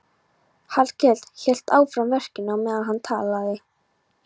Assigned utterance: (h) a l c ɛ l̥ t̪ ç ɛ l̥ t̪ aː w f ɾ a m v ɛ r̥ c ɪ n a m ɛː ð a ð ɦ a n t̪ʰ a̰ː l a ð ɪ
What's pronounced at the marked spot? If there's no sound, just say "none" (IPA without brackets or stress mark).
h